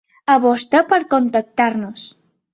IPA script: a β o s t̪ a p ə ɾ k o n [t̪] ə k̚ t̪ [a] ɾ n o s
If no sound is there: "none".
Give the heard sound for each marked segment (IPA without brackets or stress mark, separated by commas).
t̪, a